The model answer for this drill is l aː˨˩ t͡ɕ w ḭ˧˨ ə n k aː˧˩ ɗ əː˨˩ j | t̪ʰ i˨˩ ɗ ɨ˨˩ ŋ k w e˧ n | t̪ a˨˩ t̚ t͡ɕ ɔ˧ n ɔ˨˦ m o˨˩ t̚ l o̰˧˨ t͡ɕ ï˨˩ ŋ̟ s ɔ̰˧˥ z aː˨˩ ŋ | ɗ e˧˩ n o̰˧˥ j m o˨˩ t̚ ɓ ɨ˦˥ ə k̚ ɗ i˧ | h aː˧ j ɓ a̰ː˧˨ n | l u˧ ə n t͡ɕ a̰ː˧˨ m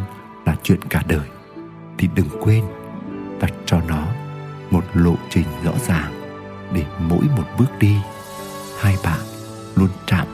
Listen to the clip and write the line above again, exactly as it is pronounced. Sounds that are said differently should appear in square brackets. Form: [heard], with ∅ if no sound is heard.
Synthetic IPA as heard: l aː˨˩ t͡ɕ w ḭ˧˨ ə n k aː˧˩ ɗ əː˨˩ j | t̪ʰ i˨˩ ɗ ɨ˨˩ ŋ k w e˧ n | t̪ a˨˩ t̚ t͡ɕ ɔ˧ n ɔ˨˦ m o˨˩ t̚ l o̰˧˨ t͡ɕ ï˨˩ ŋ̟ [z] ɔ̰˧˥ z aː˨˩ ŋ | ɗ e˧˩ [m] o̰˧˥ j m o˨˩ t̚ ɓ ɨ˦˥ ə k̚ ɗ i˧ | h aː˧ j ɓ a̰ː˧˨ n | l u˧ ə n t͡ɕ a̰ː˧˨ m